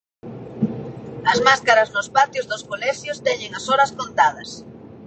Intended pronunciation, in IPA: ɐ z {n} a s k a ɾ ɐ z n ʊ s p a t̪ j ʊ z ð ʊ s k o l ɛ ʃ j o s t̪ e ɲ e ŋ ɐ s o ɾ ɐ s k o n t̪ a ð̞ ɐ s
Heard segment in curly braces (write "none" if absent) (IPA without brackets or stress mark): m